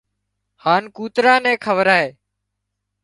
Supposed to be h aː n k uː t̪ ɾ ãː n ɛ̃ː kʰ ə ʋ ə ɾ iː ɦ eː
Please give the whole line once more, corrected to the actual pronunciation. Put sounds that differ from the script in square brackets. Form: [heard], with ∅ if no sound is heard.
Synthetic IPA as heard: h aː n k uː t̪ ɾ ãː n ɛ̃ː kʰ ə ʋ ə ɾ [aː] ɦ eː

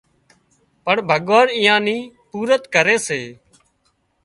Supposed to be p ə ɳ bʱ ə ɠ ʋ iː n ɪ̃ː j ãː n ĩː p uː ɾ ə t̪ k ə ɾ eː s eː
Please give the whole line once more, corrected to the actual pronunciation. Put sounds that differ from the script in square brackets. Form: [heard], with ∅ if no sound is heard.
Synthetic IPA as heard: p ə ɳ bʱ ə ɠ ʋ [aː] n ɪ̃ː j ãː n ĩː p uː ɾ ə t̪ k ə ɾ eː s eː

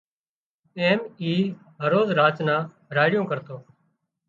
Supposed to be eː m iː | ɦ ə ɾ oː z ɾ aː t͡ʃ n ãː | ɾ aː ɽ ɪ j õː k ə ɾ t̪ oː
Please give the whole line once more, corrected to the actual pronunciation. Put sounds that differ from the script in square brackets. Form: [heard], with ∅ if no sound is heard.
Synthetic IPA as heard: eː m iː | ɦ ə ɾ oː z ɾ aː t͡ʃ n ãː | ɾ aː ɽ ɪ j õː k ə ɾ t̪ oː

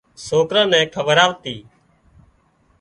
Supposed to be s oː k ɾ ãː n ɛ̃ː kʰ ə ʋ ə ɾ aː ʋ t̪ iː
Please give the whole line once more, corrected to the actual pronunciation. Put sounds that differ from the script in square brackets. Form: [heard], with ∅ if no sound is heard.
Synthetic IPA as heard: s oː k ɾ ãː n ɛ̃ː kʰ ə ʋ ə ɾ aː ʋ t̪ iː

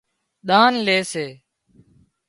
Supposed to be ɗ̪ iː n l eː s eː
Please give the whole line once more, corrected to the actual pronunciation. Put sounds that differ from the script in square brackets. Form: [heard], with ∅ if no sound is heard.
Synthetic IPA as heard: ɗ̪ [aː] n l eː s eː

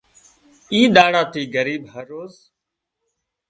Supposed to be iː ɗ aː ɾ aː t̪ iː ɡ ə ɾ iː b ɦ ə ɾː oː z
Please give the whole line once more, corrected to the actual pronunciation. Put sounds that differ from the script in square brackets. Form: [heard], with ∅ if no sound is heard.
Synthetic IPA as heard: iː ɗ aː [ɽ] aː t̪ iː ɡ ə ɾ iː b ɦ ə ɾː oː z

